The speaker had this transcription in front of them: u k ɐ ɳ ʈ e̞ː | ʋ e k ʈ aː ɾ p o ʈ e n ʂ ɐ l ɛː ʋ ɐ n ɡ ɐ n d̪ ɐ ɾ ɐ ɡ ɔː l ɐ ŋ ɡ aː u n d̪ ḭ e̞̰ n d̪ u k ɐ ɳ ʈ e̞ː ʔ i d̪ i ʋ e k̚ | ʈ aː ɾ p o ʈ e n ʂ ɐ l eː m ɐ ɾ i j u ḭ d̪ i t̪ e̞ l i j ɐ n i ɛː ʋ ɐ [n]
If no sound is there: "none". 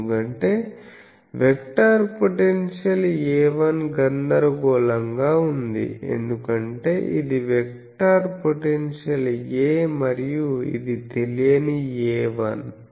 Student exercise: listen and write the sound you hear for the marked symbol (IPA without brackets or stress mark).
n